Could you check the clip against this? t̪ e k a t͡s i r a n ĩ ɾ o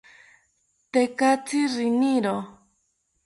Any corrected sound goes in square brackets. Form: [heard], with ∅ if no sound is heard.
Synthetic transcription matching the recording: t̪ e k a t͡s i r [i] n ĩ ɾ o